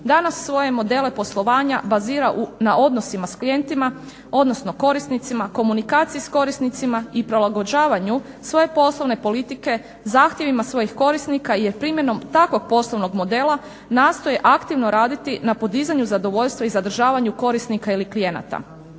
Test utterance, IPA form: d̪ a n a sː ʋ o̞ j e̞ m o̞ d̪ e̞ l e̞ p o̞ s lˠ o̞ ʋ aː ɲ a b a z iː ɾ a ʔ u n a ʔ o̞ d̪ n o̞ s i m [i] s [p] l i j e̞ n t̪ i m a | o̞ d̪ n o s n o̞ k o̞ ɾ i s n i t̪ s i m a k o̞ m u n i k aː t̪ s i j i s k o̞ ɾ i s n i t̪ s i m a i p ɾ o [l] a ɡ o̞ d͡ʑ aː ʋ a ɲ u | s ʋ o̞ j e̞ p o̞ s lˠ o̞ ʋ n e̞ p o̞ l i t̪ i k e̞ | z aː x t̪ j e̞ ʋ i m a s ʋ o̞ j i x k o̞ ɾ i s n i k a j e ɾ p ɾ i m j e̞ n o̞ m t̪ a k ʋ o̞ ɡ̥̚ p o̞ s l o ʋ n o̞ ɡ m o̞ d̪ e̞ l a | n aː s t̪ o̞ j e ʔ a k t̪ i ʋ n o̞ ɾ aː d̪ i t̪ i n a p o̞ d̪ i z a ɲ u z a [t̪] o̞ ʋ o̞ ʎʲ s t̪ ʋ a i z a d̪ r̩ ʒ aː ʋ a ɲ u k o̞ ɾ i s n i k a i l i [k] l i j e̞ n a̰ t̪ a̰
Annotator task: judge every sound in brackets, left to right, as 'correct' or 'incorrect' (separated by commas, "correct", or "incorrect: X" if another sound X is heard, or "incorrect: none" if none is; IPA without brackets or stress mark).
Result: incorrect: a, incorrect: k, correct, incorrect: d̪, correct